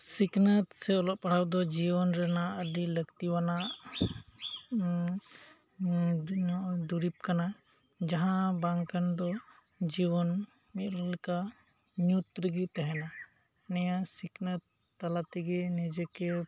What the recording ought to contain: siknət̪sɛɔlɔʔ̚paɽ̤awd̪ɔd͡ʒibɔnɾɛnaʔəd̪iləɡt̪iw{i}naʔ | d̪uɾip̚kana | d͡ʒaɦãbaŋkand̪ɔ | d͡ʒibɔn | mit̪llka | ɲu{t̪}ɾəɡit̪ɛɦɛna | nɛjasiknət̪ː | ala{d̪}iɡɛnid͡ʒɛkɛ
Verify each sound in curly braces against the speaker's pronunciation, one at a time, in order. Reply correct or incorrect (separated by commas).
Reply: incorrect, correct, incorrect